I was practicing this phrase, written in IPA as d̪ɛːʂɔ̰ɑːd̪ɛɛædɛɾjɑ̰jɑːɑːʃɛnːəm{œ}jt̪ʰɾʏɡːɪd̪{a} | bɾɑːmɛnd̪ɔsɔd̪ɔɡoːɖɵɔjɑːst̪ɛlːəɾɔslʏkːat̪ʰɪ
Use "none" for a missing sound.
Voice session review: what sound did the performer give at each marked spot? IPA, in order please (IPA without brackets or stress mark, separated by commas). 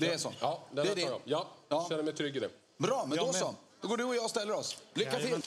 ɛ, ɛ